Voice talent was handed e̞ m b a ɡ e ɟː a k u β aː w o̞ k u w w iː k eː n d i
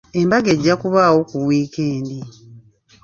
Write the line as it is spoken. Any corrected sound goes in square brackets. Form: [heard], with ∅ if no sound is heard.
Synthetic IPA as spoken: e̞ m b a ɡ e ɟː a k u β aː w o̞ k u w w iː k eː n d i